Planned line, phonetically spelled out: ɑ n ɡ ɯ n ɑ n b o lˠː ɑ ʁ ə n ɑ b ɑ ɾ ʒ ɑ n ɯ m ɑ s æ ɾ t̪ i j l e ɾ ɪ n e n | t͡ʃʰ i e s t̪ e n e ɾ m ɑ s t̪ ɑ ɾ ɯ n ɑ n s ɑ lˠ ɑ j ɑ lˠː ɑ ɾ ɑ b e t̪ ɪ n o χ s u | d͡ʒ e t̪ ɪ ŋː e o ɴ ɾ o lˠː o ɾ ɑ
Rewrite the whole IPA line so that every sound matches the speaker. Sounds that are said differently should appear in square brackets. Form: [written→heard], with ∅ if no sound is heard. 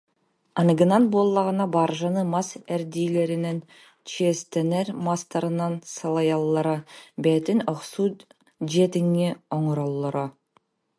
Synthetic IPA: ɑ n ɡ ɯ n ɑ n b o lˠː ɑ ʁ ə n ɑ b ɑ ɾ ʒ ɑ n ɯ m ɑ s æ ɾ [t̪→d̪] i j l e ɾ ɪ n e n | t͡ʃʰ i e s t̪ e n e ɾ m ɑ s t̪ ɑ ɾ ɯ n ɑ n s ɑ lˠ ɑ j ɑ lˠː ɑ ɾ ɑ b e t̪ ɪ n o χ s u | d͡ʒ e t̪ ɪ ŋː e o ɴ ɾ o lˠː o ɾ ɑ

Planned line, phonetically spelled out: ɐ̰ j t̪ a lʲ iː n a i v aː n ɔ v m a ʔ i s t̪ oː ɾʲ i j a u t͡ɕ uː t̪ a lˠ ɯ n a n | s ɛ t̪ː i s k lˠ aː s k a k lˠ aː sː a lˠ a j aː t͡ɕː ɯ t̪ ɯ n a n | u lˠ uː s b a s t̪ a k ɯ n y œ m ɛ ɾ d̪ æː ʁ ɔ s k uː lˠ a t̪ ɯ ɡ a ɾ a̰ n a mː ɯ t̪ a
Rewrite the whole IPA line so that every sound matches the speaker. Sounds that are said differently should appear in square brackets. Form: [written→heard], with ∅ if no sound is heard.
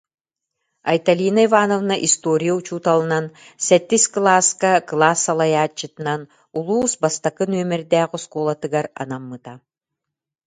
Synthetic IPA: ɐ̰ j t̪ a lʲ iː n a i v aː n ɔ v [m→n] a ʔ i s t̪ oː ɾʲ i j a u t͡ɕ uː t̪ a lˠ ɯ n a n | s ɛ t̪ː i s k lˠ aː s k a k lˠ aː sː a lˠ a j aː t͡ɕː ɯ t̪ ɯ n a n | u lˠ uː s b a s t̪ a k ɯ n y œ m ɛ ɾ d̪ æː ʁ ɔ s k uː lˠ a t̪ ɯ ɡ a ɾ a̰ n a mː ɯ t̪ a

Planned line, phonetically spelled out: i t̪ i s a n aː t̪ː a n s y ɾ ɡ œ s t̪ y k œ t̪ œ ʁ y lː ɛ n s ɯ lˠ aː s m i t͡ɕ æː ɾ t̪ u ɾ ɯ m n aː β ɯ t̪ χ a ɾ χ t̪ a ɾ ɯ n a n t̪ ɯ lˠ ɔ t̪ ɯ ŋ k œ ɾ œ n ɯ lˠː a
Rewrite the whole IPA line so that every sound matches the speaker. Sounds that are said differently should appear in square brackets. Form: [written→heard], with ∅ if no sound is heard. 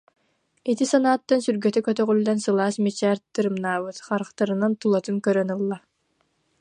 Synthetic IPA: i t̪ i s a n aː t̪ː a n s y ɾ ɡ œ [s→∅] t̪ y k œ t̪ œ ʁ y lː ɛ n s ɯ lˠ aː s m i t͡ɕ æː ɾ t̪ [u→ɯ] ɾ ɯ m n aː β ɯ t̪ χ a ɾ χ t̪ a ɾ ɯ n a n t̪ [ɯ→u] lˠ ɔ t̪ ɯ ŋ k œ ɾ œ n ɯ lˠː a

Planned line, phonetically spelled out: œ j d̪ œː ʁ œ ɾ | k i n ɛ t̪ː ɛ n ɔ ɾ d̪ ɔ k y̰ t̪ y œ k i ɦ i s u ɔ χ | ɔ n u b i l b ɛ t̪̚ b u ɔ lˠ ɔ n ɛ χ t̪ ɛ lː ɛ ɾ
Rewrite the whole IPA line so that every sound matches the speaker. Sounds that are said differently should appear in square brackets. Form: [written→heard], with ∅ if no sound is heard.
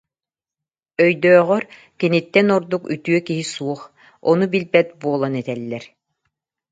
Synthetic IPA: œ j d̪ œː ʁ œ ɾ | k i n [ɛ→i] t̪ː ɛ n ɔ ɾ d̪ [ɔ→u] k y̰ t̪ y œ k i ɦ i s u ɔ χ | ɔ n u b i l b ɛ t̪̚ b u ɔ lˠ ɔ n ɛ [χ→∅] t̪ ɛ lː ɛ ɾ

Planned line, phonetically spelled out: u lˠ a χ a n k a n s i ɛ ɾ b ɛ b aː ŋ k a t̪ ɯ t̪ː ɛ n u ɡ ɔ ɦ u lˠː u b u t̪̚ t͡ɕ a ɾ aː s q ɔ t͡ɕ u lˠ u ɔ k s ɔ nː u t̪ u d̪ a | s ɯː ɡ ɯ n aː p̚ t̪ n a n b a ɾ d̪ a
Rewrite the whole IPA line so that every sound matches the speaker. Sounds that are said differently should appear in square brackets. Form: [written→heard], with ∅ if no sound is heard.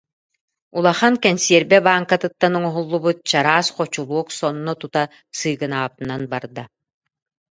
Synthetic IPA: u lˠ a χ a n k [a→ɛ] n s i ɛ ɾ b ɛ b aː ŋ k a t̪ ɯ t̪ː [ɛ→a] n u [ɡ→ŋ] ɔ ɦ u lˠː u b u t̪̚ t͡ɕ a ɾ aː s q ɔ t͡ɕ u lˠ u ɔ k s ɔ nː [u→ɔ] t̪ u [d̪→t̪] a | s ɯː ɡ ɯ n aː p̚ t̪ n a n b a ɾ d̪ a

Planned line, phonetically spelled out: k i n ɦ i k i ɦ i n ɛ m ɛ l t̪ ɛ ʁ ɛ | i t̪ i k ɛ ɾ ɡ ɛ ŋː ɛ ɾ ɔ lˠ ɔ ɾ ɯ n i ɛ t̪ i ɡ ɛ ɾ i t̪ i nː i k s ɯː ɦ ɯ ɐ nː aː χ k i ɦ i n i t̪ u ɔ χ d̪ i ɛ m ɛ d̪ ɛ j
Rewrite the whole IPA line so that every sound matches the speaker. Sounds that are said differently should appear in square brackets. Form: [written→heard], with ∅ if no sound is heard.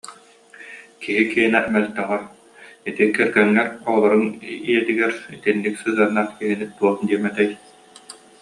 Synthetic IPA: k i [n→∅] ɦ i k i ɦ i n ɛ m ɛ l t̪ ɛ ʁ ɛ | i t̪ i k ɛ ɾ ɡ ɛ ŋː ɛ ɾ ɔ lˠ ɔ ɾ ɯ n i ɛ t̪ i ɡ ɛ ɾ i t̪ i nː i k s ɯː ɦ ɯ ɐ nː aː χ k i ɦ i n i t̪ u ɔ χ d̪ i ɛ m ɛ [d̪→t̪] ɛ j

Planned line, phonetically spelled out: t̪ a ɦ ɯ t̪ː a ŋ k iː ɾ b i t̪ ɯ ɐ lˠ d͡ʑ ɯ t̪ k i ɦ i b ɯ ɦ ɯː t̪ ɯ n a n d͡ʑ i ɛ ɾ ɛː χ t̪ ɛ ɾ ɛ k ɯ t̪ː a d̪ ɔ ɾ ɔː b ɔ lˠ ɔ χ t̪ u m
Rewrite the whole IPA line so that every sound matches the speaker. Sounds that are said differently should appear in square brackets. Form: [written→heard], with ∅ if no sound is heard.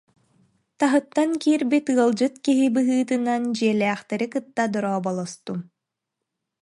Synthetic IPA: t̪ a ɦ ɯ t̪ː a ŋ k iː ɾ b i t̪ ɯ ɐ lˠ d͡ʑ ɯ t̪ k i ɦ i b ɯ ɦ ɯː t̪ ɯ n a n d͡ʑ i ɛ [ɾ→l] ɛː χ t̪ ɛ ɾ [ɛ→i] k ɯ t̪ː a d̪ ɔ ɾ ɔː b ɔ lˠ ɔ [χ→s] t̪ u m

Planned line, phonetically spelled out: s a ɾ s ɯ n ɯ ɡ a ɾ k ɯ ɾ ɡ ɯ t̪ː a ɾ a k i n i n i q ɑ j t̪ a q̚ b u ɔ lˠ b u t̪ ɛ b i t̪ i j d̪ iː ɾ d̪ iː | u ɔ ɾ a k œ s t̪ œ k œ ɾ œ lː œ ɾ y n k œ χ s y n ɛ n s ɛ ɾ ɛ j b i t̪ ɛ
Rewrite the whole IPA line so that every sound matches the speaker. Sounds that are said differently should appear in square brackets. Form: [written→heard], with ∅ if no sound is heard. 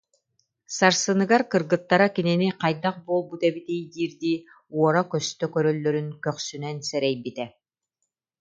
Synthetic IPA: s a ɾ s ɯ n ɯ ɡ a ɾ k ɯ ɾ ɡ ɯ t̪ː a ɾ a k i n i n i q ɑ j [t̪→d̪] a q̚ b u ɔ lˠ b u t̪ ɛ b i t̪ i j d̪ iː ɾ d̪ iː | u ɔ ɾ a k œ s t̪ œ k œ ɾ œ lː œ ɾ y n k œ χ s y n ɛ n s ɛ ɾ ɛ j b i t̪ ɛ

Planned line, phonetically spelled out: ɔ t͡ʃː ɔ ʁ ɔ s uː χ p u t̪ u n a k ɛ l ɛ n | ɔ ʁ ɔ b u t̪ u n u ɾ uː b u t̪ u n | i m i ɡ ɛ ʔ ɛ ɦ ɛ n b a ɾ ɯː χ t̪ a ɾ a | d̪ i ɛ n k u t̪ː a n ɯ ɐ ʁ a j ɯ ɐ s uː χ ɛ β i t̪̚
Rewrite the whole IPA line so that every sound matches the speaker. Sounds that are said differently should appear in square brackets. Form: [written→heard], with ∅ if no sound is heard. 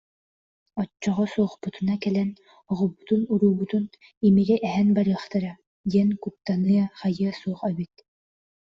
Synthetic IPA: ɔ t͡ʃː ɔ ʁ ɔ s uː χ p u t̪ u n a k ɛ l ɛ n | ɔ ʁ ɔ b u t̪ u n u ɾ uː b u t̪ u n | i m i ɡ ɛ ʔ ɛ ɦ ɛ n b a ɾ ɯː χ t̪ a ɾ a | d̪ i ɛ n k u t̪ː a n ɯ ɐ [ʁ→χ] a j ɯ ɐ s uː χ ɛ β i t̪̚

